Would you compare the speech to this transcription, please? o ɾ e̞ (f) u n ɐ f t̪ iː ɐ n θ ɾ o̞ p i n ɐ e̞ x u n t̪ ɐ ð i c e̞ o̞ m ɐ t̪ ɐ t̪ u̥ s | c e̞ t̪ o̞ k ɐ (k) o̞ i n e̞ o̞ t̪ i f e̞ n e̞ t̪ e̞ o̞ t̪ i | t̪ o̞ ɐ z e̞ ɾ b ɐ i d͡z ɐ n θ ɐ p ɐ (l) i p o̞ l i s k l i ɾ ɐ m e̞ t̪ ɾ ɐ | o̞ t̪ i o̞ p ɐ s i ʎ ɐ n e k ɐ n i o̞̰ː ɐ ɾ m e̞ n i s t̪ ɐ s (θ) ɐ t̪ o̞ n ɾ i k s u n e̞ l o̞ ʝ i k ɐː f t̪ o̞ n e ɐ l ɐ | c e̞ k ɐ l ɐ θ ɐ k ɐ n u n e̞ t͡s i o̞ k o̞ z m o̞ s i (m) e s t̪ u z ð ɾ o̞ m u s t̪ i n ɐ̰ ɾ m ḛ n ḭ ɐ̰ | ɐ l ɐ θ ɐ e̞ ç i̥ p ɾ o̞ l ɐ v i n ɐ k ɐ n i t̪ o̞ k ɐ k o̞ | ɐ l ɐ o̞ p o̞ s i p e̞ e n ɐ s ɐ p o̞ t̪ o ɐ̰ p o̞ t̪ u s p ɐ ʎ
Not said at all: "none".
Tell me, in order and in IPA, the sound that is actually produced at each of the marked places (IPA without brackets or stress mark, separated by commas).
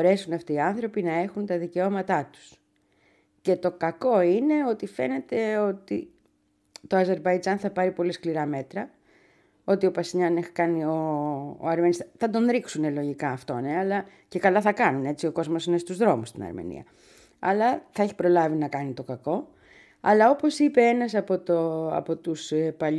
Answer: s, k, ɾ, θ, n